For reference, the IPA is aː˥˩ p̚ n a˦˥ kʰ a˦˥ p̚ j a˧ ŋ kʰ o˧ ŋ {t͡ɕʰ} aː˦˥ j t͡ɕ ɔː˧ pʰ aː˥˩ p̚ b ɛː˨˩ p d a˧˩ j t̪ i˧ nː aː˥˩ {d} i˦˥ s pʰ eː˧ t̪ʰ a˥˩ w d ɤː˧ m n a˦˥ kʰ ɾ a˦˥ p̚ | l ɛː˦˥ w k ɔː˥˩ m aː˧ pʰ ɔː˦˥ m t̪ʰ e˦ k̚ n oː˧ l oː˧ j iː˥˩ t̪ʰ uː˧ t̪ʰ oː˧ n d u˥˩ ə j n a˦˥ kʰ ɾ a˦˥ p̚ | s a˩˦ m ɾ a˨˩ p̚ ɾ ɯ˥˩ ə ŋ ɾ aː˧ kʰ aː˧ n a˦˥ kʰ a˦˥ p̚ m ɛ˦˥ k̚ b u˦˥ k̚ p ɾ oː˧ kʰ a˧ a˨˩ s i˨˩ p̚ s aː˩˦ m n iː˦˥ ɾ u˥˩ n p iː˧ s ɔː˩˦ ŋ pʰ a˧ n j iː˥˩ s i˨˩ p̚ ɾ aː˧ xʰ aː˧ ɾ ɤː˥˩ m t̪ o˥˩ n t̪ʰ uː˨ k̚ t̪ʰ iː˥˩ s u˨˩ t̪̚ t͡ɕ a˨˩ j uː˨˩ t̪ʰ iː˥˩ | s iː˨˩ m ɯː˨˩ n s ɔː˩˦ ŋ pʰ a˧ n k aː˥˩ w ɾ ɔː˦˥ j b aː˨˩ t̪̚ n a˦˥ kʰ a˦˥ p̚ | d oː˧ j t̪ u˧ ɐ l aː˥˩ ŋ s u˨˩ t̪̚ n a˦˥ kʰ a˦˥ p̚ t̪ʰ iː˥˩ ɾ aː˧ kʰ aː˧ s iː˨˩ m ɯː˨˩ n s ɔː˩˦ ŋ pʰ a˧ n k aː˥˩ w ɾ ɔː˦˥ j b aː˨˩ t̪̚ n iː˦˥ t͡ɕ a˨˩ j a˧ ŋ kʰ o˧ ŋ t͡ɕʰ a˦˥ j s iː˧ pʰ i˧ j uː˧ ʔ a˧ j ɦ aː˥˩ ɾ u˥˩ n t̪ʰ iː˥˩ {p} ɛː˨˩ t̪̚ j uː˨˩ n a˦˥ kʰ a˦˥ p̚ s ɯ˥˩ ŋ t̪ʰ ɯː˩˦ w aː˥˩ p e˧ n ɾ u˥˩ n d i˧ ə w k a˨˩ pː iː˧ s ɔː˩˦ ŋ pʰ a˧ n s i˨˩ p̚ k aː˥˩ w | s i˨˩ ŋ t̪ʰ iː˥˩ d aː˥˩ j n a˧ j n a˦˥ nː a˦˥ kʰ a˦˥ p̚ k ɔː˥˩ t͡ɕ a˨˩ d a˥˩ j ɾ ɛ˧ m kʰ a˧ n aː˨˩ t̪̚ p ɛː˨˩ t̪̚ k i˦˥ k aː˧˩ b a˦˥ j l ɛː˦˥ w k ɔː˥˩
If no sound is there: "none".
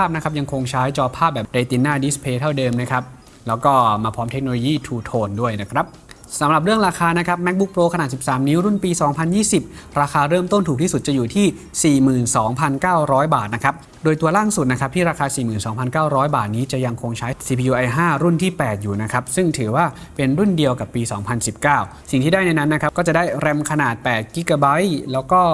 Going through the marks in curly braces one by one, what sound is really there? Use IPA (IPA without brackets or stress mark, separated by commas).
t͡ɕʰ, d, p